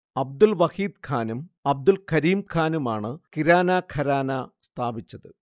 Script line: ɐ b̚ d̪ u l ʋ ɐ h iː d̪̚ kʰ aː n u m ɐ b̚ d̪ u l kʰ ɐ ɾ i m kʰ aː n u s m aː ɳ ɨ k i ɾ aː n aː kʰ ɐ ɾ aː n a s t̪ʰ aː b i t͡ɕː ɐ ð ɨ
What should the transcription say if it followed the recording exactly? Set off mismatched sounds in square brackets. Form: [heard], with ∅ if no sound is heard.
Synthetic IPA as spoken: ɐ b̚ d̪ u l ʋ ɐ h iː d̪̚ kʰ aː n u m ɐ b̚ d̪ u l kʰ ɐ ɾ [iː] m kʰ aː n u [∅] m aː ɳ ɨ k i ɾ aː n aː kʰ ɐ ɾ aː n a s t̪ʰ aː b i t͡ɕː ɐ ð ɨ